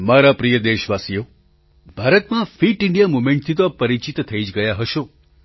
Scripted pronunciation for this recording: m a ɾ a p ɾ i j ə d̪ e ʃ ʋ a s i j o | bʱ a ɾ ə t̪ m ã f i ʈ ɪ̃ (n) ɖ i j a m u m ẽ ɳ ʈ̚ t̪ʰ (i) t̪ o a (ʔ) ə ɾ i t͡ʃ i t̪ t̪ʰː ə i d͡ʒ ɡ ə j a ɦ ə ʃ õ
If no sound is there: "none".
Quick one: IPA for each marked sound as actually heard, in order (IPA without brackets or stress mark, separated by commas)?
ɳ, i, p